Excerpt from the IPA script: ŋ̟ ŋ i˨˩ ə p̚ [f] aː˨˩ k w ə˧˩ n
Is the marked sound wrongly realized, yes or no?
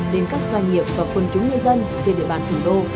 yes